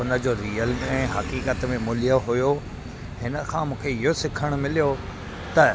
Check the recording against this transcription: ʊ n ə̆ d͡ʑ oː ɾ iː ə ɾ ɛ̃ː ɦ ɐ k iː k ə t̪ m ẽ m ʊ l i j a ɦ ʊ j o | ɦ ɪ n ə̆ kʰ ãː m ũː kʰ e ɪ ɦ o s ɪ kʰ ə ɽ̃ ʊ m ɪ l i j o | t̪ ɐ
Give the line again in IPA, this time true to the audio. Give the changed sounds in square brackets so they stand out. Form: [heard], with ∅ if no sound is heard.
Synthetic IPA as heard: ʊ n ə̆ d͡ʑ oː ɾ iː ə [l] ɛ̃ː ɦ ɐ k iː k ə t̪ m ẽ m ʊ l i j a ɦ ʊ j o | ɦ ɪ n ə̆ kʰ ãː m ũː kʰ e ɪ ɦ o s ɪ kʰ ə ɽ̃ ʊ m ɪ l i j o | t̪ ɐ